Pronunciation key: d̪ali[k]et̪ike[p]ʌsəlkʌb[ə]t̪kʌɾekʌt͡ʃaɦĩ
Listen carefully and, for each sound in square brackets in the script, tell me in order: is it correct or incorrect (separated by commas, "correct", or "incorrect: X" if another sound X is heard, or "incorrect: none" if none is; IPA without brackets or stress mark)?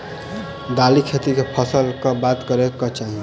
incorrect: kʰ, incorrect: pʰ, incorrect: a